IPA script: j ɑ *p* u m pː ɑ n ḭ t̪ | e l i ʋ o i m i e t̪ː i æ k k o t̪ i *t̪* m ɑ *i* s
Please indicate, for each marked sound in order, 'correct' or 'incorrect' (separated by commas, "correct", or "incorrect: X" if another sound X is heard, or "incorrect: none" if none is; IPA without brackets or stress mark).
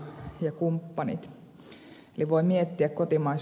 incorrect: k, incorrect: none, correct